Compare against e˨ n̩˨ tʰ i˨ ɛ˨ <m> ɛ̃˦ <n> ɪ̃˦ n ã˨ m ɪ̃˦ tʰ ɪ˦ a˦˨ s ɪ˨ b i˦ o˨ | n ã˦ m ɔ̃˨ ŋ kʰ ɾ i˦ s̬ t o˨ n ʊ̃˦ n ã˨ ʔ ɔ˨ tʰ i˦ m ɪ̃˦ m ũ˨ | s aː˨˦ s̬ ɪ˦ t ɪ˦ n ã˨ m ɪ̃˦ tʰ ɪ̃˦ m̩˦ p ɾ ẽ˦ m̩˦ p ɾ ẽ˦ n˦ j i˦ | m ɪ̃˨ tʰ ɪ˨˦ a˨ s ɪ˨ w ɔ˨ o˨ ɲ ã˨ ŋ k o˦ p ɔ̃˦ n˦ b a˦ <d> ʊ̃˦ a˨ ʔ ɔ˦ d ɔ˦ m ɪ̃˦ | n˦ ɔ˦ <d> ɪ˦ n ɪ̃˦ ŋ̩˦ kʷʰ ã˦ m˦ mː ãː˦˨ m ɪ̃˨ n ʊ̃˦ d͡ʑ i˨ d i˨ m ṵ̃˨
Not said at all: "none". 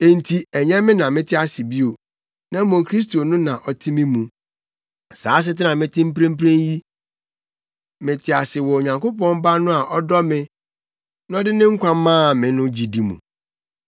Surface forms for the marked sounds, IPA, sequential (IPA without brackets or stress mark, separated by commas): ɲ, m, n, d